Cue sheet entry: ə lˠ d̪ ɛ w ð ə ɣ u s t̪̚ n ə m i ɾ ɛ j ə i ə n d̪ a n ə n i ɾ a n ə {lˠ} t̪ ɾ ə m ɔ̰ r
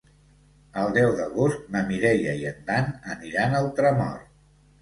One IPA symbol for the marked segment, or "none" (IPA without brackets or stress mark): lˠ